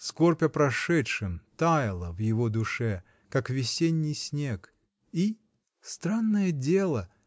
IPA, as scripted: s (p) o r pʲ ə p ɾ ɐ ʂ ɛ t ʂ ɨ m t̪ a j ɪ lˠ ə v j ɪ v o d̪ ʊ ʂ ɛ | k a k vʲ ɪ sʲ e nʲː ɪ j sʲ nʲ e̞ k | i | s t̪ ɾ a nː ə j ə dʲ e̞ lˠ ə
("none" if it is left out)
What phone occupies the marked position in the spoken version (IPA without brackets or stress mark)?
k